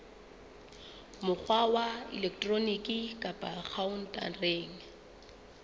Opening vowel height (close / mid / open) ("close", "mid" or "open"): close